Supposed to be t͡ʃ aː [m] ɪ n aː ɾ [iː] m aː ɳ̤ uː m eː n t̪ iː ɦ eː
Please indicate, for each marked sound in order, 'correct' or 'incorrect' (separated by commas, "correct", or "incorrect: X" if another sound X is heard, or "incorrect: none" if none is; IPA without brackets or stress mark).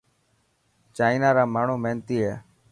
incorrect: none, incorrect: aː